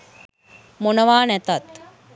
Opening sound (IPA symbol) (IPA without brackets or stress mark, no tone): m